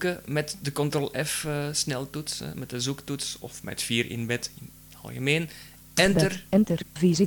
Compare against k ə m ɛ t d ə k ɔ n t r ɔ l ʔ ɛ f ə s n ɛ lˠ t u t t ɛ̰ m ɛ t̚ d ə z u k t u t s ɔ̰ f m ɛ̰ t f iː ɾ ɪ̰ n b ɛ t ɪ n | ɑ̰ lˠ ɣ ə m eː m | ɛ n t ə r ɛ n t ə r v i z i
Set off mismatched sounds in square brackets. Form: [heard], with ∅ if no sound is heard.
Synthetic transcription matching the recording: k ə m ɛ t d ə k ɔ n t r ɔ l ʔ ɛ f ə s n ɛ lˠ t u t [s] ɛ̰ m ɛ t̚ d ə z u k t u t s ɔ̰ f m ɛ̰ t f iː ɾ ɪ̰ n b ɛ t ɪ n | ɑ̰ lˠ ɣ ə m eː [n] | ɛ n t ə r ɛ n t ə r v i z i